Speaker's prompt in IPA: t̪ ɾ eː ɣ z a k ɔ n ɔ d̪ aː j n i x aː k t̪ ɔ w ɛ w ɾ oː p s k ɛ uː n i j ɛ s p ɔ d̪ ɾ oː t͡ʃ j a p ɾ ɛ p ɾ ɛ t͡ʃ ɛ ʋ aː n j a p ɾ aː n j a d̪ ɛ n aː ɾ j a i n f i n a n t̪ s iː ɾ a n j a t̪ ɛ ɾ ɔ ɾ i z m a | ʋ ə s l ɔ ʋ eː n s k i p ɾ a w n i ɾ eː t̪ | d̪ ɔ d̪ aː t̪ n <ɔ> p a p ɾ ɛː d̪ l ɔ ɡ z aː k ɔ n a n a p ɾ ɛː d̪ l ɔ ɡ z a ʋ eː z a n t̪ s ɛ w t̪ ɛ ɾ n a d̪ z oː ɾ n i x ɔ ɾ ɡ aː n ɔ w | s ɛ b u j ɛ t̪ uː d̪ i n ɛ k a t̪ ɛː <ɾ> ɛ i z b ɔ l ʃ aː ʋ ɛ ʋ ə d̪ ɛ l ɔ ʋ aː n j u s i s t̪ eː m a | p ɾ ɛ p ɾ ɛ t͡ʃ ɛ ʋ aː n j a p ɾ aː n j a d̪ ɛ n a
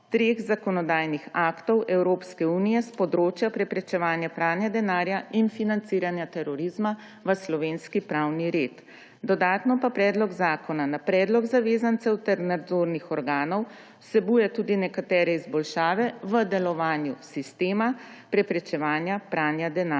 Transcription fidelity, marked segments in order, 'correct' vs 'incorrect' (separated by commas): correct, correct